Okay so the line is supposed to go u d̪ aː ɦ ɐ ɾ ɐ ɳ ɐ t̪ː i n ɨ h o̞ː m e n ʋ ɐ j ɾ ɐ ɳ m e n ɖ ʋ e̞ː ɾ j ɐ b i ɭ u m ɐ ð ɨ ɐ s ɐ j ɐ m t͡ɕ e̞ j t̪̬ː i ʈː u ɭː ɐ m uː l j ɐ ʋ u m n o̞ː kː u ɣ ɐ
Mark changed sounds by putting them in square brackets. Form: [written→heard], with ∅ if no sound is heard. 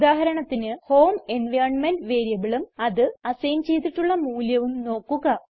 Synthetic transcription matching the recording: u d̪ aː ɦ ɐ ɾ ɐ ɳ ɐ t̪ː i n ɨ h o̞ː m e n ʋ ɐ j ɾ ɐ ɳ m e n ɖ ʋ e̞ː ɾ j ɐ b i ɭ u m ɐ ð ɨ ɐ s ɐ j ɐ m t͡ɕ e̞ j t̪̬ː i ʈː u ɭː ɐ m uː l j ɐ ʋ u m n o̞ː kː u ɣ ɐ